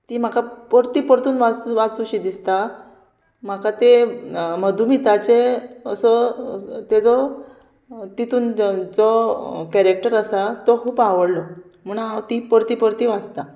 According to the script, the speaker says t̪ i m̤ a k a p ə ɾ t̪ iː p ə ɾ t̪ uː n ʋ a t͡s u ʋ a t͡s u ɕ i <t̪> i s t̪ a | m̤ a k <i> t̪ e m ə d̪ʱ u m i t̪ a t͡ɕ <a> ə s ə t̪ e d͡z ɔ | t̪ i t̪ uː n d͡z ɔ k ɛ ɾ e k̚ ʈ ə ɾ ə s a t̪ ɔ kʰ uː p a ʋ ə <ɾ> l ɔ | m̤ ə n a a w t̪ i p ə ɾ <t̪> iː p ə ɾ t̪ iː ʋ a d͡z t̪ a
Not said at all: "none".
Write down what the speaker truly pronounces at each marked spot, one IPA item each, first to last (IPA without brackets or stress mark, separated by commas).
d̪, a, e, ɽ, t̪